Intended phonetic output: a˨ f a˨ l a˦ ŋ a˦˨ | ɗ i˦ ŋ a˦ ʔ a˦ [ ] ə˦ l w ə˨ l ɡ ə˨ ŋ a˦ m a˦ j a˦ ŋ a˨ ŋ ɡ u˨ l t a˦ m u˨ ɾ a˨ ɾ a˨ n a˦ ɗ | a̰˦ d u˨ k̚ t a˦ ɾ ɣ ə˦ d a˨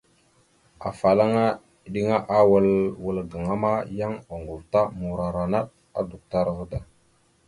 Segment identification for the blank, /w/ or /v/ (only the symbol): w